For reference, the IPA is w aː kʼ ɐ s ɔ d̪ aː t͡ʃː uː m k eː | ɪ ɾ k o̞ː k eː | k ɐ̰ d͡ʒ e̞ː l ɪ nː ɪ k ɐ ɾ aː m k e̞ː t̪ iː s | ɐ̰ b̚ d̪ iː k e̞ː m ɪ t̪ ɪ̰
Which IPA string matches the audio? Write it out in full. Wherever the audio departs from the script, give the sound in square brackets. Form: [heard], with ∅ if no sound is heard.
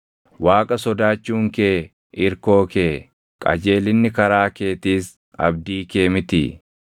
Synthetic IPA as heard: w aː kʼ ɐ s ɔ d̪ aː t͡ʃː uː [ŋ] k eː | ɪ ɾ k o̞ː k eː | [kʼ] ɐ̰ d͡ʒ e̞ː l ɪ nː ɪ k ɐ ɾ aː [∅] k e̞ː t̪ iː s | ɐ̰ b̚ d̪ iː k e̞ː m ɪ t̪ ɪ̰